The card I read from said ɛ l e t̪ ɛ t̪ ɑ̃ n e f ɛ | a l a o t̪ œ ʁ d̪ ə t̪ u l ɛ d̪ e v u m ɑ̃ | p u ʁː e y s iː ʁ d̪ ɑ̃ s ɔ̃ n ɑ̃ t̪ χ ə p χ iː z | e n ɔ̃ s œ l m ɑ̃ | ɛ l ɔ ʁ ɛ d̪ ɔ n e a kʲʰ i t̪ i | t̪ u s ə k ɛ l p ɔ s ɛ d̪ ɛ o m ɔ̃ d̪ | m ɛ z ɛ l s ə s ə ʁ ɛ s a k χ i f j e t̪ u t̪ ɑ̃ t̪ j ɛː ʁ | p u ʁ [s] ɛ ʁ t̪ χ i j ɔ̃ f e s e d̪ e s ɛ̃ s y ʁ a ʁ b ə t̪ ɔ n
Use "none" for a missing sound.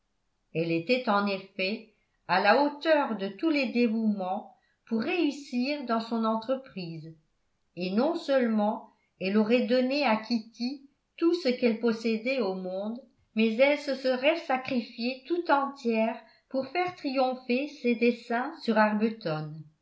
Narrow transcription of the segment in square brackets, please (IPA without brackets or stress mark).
f